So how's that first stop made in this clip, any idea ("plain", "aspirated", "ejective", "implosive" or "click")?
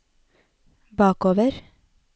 plain